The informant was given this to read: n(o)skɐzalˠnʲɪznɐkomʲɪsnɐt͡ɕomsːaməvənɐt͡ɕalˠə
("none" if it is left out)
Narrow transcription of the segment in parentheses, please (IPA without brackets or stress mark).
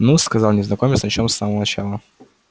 u